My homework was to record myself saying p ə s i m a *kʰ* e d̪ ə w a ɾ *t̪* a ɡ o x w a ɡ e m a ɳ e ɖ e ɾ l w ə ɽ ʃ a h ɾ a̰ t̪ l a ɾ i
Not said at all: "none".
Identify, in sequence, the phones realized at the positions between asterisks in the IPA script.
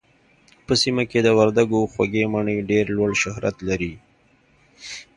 k, d̪

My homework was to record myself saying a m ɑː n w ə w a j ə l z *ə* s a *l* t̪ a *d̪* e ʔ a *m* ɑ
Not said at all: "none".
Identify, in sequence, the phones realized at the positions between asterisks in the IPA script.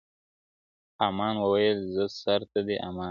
ə, ɾ, d̪, m

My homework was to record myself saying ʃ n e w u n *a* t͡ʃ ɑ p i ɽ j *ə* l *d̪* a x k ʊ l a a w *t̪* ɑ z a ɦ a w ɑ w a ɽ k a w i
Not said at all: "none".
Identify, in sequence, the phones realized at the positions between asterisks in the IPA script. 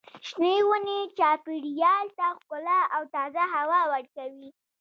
e, ɑ, t̪, t̪

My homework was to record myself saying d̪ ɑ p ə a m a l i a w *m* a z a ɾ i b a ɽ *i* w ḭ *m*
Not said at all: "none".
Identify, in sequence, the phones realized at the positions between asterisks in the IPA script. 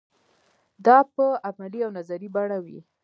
n, a, none

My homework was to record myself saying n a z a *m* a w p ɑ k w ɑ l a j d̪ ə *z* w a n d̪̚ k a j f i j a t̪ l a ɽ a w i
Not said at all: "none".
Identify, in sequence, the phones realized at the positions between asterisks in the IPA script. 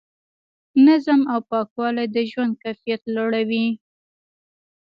m, ʒ

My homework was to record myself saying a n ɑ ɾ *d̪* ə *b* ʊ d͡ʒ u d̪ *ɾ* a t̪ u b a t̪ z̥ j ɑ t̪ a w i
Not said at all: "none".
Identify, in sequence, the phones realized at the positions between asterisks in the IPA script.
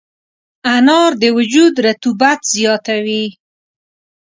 d̪, w, ɾ

